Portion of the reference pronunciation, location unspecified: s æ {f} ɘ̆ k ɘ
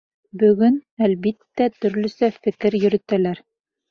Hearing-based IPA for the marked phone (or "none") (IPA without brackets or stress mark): f